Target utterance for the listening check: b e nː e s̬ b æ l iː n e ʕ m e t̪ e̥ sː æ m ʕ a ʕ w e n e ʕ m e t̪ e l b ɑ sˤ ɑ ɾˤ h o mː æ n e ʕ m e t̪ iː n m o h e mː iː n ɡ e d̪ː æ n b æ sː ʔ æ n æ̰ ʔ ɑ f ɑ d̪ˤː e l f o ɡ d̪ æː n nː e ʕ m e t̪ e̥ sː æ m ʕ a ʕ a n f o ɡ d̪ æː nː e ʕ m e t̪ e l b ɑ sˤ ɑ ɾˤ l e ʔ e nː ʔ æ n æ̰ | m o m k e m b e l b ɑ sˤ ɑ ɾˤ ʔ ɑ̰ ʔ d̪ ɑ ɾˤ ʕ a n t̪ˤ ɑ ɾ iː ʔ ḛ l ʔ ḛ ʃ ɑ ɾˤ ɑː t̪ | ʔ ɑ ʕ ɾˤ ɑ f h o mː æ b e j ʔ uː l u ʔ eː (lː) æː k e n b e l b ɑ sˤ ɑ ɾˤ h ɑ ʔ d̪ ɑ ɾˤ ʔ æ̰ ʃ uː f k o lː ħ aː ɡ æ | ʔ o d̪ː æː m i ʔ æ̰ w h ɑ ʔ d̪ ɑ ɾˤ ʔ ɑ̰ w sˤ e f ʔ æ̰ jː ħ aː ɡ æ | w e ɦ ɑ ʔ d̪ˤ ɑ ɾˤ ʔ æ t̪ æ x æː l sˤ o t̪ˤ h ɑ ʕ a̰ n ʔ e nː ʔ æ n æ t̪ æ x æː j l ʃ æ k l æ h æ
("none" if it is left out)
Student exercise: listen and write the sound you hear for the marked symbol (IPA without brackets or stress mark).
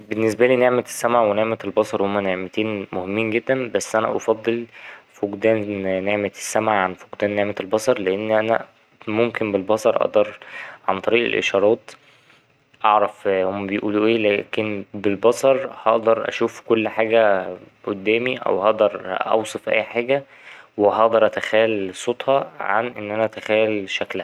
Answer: l